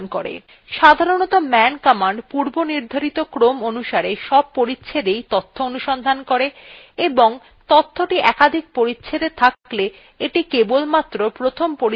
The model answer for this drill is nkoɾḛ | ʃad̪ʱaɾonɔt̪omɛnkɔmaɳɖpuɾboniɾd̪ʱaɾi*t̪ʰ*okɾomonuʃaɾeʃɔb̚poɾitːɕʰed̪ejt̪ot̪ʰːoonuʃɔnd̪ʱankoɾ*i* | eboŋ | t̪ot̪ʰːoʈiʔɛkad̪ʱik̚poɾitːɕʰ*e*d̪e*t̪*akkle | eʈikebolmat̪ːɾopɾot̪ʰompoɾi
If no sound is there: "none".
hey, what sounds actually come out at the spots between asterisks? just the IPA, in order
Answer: t̪, e, e, t̪ʰ

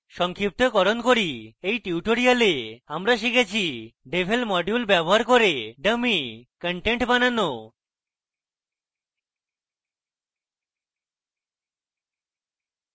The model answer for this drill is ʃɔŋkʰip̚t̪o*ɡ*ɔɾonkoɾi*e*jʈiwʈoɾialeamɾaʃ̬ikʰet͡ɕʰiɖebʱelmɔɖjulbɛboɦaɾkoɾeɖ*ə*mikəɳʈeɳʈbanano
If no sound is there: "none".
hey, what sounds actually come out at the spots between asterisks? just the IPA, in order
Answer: k, e, ə

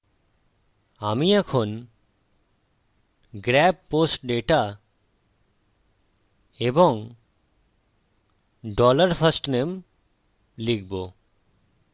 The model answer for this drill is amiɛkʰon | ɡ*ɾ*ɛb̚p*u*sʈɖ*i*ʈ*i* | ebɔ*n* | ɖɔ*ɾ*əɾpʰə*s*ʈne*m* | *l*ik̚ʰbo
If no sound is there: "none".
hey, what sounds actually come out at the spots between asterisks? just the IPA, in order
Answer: ɾ, o, e, a, ŋ, l, s, m, l

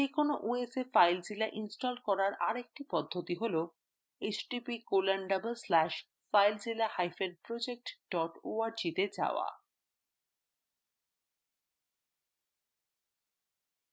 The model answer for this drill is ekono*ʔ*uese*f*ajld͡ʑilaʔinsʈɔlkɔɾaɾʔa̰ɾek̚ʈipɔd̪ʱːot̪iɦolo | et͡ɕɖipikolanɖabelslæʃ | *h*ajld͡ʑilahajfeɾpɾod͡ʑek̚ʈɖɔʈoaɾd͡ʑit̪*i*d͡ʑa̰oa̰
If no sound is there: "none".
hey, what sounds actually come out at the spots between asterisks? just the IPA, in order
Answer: ʔ, f, f, e

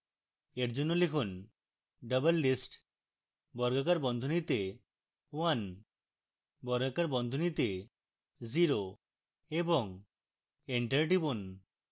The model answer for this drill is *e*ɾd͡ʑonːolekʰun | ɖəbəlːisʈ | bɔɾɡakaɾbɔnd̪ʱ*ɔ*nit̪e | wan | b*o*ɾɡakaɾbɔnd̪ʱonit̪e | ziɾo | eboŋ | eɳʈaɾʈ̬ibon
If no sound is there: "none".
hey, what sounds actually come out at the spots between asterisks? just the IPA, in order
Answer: e, o, ɔ

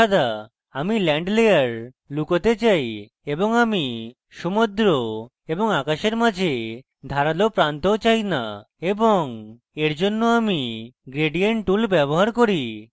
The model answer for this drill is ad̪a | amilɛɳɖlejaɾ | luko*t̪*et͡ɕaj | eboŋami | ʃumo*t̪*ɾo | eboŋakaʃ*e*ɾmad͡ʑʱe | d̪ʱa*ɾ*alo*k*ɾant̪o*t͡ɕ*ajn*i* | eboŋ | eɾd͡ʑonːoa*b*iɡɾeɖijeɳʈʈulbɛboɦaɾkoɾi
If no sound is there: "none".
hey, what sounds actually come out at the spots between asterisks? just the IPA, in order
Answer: t̪, d̪, e, ɾ, p, t͡ɕ, a, m

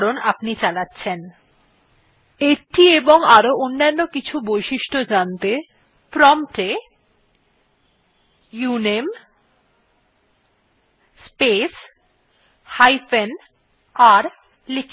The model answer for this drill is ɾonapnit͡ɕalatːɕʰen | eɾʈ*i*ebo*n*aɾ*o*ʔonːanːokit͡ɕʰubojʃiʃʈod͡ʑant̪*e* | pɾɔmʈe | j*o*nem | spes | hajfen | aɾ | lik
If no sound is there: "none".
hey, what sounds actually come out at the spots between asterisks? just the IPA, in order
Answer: i, ŋ, o, e, u

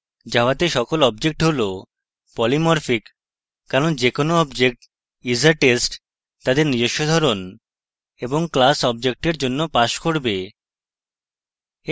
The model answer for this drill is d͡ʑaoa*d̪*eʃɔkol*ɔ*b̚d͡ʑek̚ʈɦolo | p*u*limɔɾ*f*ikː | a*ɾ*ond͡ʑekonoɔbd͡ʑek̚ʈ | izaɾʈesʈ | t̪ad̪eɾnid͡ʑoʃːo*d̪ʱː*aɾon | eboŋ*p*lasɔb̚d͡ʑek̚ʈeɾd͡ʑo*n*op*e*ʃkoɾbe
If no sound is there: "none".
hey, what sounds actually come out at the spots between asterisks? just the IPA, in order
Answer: t̪, ɔ, ɔ, f, ɾ, d̪ʱ, k, nː, a

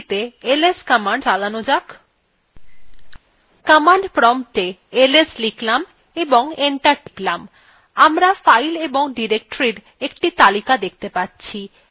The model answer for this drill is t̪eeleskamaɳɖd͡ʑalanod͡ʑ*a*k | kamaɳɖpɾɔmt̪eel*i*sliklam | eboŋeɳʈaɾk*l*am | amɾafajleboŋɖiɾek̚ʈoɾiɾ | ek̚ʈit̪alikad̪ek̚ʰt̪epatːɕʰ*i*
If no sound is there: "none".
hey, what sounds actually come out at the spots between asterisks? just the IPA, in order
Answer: a, e, l, i

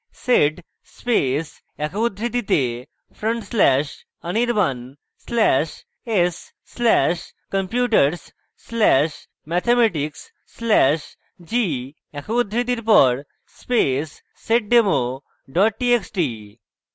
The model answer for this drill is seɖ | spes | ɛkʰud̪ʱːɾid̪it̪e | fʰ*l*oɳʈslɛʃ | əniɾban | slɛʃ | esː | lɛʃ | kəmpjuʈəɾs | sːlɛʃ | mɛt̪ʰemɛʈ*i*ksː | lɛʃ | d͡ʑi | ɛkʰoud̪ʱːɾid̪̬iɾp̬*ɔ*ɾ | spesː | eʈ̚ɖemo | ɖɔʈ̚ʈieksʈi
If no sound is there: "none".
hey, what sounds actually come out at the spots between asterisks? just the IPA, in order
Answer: ɾ, i, ɔ

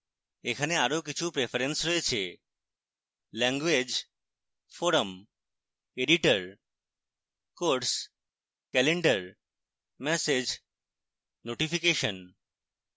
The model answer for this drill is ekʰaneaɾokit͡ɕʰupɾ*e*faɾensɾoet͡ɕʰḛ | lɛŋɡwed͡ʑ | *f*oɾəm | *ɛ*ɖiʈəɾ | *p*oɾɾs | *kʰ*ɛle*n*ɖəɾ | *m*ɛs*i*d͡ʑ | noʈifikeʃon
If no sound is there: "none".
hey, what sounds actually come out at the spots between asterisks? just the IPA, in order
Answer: e, f, e, k, k, ɳ, m, e

